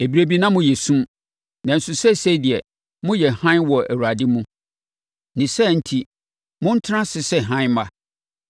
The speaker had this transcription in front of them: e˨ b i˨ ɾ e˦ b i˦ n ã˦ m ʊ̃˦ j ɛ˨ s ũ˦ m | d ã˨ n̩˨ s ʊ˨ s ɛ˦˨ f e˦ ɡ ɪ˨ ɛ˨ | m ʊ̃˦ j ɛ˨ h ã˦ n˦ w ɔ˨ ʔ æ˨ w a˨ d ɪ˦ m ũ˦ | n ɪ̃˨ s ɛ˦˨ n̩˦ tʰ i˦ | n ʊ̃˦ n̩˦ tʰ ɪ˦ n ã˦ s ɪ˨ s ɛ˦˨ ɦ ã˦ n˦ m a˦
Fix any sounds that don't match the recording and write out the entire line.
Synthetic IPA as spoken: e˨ b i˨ ɾ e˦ b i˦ n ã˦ m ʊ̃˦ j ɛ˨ s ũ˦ m | n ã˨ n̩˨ s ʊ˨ s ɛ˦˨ s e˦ d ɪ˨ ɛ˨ | m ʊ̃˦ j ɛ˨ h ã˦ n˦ w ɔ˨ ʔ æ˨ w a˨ d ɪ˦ m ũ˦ | n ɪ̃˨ s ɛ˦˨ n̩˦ tʰ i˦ | m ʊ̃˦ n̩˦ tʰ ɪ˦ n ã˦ s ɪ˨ s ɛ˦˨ ɦ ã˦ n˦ m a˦